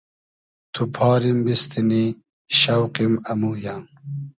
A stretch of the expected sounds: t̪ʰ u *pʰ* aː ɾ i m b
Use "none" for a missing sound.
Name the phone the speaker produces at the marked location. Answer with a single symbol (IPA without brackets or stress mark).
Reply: pʰ